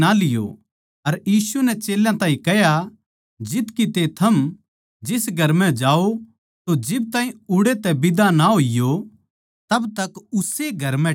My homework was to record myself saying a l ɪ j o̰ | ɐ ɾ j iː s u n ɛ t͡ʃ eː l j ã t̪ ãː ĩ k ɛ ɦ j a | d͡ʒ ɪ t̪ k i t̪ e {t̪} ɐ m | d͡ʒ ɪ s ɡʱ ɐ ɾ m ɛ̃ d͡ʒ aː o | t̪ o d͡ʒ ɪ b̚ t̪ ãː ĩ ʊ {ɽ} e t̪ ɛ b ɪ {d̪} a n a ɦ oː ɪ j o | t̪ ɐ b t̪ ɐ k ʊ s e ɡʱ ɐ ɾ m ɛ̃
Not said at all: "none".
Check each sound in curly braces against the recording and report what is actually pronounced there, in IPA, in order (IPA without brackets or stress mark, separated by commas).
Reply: t̪ʰ, ɽ, d̪